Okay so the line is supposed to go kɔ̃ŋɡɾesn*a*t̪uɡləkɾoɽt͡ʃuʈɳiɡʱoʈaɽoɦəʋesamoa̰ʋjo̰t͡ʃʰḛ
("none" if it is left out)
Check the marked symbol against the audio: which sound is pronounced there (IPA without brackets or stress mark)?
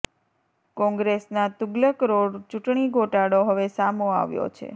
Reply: a